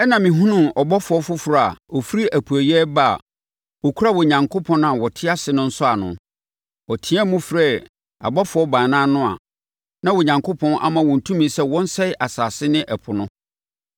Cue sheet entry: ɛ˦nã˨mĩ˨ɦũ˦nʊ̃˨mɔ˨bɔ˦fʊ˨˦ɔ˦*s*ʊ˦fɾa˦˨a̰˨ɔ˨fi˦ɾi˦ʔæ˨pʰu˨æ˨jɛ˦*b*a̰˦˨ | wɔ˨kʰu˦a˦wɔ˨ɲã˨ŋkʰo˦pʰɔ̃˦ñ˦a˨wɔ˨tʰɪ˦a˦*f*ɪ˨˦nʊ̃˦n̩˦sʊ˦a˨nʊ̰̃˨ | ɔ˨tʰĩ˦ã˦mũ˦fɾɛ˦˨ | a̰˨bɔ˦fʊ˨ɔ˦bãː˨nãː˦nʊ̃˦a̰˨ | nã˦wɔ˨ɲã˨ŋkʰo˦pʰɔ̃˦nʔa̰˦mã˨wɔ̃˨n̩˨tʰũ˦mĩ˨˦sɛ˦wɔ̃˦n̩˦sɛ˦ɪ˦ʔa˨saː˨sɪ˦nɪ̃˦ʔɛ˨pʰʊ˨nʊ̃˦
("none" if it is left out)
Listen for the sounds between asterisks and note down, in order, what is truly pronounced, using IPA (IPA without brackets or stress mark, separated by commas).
f, b, s